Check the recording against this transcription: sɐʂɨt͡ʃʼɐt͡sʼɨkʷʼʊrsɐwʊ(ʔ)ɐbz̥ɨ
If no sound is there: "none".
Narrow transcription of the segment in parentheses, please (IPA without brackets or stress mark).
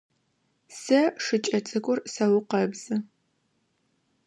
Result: q